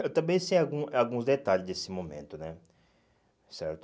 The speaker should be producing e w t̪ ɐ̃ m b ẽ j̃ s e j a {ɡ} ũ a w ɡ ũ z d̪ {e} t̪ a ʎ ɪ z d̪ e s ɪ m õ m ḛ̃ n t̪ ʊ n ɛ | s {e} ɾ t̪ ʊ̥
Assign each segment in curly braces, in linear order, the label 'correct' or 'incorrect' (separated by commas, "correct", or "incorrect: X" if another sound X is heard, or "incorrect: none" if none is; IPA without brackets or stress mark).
correct, correct, incorrect: ɛ